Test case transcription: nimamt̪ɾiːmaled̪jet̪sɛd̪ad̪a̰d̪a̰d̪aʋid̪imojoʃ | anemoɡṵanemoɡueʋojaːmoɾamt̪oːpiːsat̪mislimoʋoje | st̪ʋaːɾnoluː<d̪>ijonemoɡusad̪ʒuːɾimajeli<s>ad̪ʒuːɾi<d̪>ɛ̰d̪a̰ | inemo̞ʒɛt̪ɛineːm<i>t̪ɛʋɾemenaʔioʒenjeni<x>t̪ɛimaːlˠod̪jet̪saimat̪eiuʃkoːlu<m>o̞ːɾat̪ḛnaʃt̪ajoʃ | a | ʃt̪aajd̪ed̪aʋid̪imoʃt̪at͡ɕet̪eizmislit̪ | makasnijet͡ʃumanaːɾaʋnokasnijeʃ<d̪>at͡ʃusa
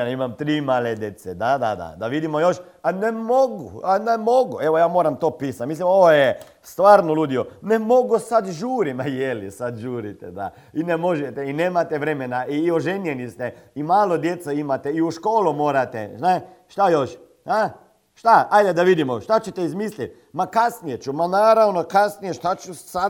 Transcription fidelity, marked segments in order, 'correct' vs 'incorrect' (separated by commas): correct, correct, incorrect, incorrect, incorrect, correct, incorrect